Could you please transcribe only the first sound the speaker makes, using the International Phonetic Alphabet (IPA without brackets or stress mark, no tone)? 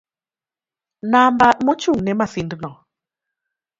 n